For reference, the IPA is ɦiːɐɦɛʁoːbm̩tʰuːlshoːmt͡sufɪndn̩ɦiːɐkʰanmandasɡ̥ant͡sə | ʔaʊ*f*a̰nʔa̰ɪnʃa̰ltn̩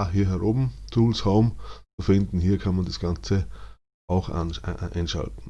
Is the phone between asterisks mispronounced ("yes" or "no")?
yes